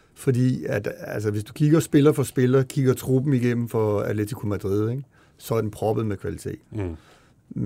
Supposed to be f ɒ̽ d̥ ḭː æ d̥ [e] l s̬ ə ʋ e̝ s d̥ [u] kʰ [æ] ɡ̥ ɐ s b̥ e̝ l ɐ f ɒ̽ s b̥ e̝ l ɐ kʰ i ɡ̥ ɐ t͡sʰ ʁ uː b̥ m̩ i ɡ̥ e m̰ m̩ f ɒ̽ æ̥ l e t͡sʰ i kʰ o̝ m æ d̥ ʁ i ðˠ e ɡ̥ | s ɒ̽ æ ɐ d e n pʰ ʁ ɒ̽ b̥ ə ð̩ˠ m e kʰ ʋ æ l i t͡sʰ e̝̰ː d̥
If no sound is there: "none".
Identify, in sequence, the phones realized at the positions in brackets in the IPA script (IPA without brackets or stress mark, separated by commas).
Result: æ, u, i